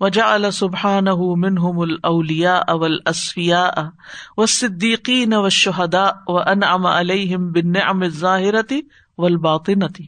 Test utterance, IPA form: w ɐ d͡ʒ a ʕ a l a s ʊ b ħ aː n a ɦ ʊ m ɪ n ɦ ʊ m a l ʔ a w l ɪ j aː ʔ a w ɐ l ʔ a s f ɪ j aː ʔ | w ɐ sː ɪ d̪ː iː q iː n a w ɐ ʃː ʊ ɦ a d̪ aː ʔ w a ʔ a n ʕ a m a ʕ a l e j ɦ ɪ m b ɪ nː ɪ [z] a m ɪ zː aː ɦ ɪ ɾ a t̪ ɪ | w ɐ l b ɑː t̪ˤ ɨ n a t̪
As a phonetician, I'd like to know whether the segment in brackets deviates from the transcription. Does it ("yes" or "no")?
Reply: yes